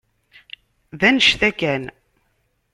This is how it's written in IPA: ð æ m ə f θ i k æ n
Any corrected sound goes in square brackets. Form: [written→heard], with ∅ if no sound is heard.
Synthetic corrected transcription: ð æ [m→n] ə [f→ʃ] θ [i→æ] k æ n